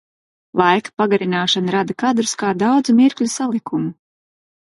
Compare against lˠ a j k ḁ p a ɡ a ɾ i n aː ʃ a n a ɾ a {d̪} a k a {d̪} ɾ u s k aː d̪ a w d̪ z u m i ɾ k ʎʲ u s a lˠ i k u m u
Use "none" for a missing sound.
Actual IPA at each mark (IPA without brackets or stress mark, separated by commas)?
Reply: d̪, d̪